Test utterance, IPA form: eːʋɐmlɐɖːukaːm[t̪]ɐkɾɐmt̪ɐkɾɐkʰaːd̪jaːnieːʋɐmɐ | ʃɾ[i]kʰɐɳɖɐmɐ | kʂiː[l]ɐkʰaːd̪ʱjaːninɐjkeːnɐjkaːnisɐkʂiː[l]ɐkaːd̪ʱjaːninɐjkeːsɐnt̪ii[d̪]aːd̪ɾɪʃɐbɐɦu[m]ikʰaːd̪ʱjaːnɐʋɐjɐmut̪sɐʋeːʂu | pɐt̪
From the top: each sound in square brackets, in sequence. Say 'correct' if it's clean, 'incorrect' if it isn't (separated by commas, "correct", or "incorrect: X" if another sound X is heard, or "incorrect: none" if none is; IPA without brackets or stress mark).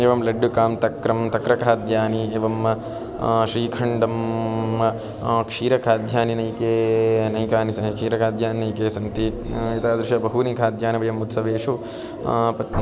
correct, incorrect: iː, incorrect: ɾ, incorrect: ɾ, incorrect: t̪, incorrect: n